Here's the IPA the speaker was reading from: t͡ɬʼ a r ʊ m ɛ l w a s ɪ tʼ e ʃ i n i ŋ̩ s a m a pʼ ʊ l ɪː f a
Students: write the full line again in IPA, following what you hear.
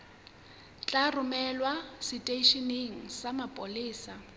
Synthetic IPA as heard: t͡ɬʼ a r ʊ m ɛ l w a s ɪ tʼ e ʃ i n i ŋ̩ s a m a pʼ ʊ l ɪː s a